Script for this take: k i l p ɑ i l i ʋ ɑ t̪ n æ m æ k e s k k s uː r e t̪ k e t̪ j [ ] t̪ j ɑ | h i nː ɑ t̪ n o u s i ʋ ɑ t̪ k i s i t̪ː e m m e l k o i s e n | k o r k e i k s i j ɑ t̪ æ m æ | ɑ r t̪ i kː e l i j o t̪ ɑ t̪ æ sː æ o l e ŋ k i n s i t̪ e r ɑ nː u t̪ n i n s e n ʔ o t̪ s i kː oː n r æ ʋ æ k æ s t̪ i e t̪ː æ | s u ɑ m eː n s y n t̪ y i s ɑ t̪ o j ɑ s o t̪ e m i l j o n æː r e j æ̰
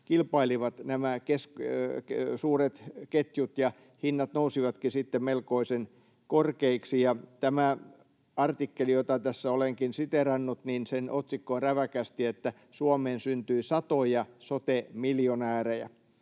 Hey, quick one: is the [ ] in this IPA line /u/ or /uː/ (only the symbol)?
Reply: u